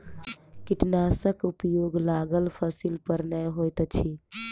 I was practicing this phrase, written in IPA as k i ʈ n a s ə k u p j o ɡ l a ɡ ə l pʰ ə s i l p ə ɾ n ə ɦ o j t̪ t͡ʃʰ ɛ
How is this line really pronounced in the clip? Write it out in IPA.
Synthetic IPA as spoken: k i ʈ n a s ə k u p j o ɡ l a ɡ ə l pʰ ə s i l p ə ɾ n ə ɦ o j t̪ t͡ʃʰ i